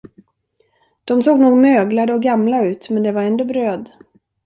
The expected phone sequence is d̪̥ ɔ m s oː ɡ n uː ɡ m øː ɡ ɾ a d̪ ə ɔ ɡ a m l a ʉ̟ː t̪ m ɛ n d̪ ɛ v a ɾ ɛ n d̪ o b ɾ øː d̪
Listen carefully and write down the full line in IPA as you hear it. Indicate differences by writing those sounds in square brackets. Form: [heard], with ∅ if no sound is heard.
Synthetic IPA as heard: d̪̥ ɔ m s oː ɡ n uː ɡ m øː ɡ [l] a d̪ ə ɔ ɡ a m l a ʉ̟ː t̪ m ɛ n d̪ ɛ v a ɾ ɛ n d̪ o b ɾ øː d̪